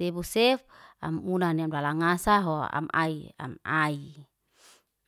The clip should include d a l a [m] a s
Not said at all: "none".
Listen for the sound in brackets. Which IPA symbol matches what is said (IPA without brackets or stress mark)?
ŋ